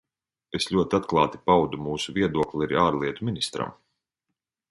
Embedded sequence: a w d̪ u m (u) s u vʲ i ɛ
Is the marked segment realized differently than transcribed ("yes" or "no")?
yes